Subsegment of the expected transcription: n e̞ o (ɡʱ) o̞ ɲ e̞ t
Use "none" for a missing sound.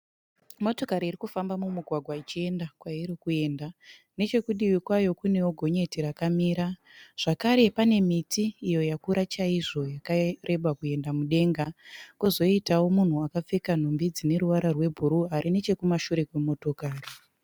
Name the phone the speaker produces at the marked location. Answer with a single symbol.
ɡʱ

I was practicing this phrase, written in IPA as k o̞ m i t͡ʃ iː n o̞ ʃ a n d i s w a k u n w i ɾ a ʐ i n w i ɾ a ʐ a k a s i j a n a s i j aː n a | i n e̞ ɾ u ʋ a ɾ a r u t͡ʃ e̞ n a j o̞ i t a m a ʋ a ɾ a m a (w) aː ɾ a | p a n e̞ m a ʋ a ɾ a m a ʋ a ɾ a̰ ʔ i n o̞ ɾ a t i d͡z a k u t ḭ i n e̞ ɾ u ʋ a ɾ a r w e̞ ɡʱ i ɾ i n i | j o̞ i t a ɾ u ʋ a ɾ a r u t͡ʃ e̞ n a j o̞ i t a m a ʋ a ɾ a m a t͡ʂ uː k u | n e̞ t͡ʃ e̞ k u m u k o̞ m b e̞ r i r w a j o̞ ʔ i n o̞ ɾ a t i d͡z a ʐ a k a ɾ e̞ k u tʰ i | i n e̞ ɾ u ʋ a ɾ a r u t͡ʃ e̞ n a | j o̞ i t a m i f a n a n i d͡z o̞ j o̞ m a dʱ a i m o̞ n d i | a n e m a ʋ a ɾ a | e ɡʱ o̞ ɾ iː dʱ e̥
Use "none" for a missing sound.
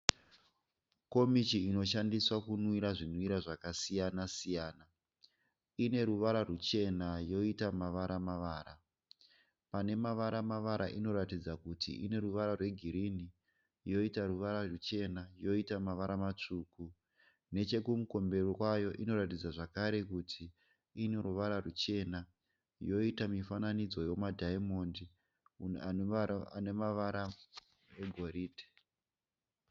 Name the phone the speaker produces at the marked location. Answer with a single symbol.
ʋ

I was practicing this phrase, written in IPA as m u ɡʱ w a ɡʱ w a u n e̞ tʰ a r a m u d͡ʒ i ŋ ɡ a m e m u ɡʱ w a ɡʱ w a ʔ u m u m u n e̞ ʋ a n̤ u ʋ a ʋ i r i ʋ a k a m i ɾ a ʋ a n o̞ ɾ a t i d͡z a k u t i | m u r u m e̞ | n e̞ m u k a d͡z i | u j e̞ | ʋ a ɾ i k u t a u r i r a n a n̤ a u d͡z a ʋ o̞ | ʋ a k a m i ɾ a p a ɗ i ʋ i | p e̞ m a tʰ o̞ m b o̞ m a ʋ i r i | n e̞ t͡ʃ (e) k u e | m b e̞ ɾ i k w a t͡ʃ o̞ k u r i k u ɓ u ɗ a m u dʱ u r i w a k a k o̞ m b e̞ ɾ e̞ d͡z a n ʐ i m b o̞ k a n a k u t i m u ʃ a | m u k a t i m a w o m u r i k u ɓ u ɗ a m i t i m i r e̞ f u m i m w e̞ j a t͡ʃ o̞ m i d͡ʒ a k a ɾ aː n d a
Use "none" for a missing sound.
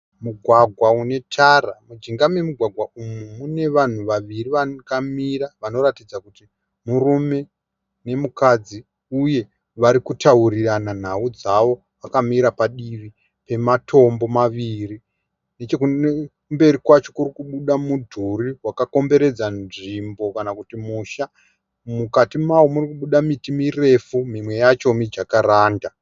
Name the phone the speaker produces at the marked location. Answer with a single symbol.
e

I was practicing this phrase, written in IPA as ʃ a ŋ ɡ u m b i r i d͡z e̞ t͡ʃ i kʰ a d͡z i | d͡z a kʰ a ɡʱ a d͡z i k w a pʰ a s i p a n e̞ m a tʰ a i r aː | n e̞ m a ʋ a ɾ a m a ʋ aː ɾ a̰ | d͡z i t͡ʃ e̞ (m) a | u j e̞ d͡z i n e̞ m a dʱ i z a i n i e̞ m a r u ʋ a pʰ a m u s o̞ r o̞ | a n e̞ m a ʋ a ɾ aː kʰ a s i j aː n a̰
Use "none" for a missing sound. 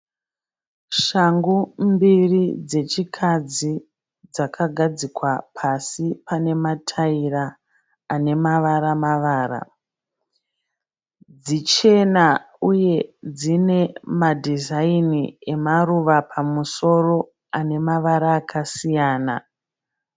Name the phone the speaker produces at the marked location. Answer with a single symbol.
n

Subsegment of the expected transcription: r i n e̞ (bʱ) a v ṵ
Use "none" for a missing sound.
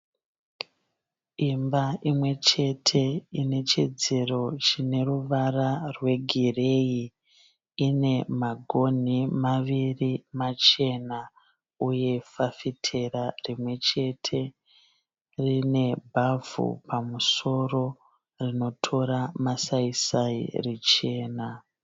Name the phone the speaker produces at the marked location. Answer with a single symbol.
bʱ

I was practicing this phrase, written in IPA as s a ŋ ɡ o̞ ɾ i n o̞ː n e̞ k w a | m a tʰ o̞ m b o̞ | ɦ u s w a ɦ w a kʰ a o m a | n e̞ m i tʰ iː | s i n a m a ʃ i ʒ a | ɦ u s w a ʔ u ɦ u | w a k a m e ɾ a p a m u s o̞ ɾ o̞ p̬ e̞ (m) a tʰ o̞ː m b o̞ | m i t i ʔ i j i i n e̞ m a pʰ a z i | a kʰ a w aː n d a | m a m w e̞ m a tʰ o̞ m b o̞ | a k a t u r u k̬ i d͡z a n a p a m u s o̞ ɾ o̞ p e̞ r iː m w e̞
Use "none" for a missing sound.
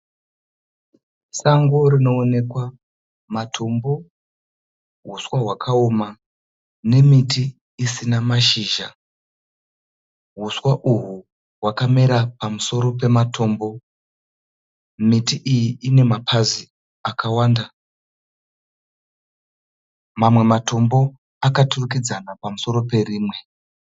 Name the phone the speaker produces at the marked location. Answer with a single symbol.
m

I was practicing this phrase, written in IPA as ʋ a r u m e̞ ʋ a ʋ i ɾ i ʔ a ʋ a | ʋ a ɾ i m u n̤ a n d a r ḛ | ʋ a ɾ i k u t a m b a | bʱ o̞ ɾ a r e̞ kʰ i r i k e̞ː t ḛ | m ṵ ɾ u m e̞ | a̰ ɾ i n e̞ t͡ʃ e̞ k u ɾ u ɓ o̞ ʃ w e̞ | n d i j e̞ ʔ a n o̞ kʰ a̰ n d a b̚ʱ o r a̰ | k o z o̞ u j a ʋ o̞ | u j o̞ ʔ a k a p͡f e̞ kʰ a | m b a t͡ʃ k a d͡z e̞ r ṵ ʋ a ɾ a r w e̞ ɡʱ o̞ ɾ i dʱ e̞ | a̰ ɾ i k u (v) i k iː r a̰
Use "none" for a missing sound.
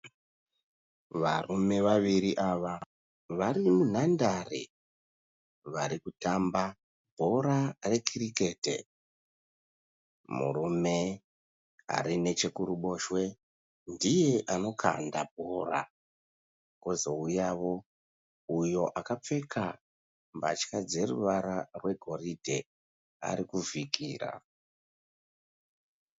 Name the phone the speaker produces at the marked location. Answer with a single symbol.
v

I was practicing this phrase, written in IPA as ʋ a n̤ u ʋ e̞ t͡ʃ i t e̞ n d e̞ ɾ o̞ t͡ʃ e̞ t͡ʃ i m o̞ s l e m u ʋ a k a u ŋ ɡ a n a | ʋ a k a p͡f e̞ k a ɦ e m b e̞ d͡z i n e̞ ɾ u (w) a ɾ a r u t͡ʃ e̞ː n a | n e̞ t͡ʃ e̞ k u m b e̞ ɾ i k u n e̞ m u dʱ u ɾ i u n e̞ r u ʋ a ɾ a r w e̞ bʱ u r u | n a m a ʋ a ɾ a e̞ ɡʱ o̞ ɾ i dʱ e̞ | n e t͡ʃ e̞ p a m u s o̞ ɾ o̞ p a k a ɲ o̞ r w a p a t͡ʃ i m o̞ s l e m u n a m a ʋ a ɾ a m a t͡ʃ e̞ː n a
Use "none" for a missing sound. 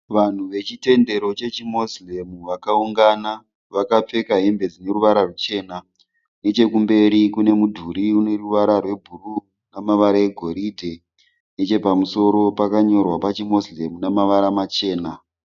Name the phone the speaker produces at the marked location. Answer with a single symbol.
ʋ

